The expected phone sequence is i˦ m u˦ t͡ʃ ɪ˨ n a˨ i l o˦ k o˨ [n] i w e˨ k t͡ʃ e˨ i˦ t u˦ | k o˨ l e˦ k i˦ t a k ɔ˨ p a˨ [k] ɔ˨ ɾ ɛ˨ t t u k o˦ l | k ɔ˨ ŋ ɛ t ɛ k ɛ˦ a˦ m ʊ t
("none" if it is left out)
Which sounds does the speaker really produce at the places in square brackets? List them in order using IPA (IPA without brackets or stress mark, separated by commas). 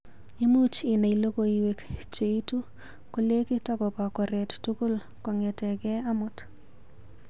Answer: none, k